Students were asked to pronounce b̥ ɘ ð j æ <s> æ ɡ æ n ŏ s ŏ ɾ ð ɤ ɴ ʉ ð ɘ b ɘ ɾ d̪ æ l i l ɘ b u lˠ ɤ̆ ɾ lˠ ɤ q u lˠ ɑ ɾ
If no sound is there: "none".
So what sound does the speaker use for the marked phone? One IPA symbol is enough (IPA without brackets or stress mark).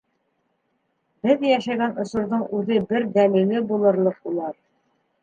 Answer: ʃ